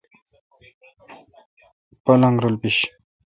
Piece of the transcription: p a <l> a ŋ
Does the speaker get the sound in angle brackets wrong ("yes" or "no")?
no